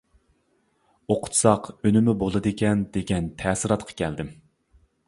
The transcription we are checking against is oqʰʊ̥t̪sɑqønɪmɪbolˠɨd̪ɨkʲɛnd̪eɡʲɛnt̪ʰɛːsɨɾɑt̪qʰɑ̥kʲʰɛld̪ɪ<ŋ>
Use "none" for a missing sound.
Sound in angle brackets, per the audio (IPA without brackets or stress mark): m